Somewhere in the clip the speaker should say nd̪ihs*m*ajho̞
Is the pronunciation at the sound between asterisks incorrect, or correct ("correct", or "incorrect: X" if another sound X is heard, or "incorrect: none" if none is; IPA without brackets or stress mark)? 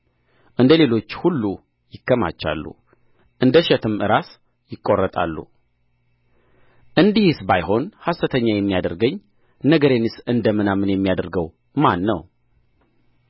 incorrect: b